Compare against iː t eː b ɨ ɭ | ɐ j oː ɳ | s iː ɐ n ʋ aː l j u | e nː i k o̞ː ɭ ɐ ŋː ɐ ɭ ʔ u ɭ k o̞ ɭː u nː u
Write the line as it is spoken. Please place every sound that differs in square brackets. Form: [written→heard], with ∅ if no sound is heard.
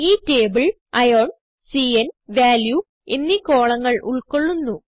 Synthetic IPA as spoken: iː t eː b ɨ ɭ | ɐ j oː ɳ | s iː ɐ n ʋ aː l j u | e nː i k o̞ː ɭ ɐ ŋː ɐ ɭ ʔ u ɭ k o̞ ɭː u nː u

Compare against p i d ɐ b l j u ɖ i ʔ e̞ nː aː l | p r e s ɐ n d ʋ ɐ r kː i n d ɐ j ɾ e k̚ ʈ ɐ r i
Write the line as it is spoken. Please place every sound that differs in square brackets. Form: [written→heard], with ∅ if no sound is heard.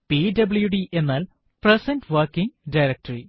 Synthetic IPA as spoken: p i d ɐ b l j u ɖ i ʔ e̞ nː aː l | p r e s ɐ n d ʋ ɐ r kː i [n→ŋ] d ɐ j ɾ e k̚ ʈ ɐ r i

